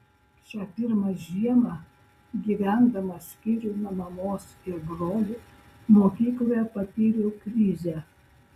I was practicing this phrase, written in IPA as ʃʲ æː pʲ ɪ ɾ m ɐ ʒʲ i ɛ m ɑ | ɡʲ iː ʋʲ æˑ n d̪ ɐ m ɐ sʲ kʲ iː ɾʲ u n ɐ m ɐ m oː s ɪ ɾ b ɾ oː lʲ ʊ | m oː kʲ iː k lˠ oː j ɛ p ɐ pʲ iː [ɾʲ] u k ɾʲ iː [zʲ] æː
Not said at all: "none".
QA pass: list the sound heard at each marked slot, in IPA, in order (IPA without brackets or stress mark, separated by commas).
ɾʲ, zʲ